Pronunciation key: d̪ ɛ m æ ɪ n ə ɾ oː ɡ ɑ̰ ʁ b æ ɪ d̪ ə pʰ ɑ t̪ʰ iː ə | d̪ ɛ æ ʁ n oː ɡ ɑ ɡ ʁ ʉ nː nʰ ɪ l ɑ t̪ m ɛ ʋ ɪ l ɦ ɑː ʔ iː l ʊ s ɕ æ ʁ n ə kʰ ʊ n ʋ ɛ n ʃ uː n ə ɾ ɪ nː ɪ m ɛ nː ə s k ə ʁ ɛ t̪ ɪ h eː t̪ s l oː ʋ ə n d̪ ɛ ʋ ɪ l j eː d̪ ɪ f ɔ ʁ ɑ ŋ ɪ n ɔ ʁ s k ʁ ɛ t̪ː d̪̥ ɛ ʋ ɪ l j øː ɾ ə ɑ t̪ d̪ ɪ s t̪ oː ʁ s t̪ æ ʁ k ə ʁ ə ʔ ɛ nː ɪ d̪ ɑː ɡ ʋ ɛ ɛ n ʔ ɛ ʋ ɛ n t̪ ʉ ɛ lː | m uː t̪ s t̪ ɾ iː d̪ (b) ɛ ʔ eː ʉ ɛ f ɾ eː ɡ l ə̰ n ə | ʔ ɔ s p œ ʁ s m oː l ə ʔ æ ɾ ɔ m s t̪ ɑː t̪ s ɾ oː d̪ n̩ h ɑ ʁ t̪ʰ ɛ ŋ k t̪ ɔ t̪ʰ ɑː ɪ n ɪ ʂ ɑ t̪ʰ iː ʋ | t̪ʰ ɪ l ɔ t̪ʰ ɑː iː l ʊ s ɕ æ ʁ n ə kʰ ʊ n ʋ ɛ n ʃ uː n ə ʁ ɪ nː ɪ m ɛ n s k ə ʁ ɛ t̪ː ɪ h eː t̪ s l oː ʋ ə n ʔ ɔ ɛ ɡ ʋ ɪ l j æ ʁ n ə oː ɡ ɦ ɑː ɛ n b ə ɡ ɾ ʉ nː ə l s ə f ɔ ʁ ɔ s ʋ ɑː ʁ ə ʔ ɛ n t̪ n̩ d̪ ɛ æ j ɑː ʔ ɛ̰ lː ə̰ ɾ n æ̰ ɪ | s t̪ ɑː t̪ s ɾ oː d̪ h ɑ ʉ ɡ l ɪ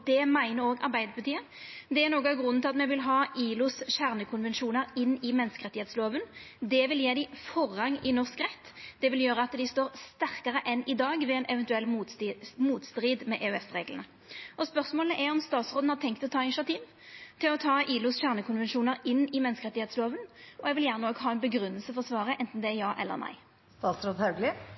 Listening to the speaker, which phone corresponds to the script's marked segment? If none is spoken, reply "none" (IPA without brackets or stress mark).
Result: m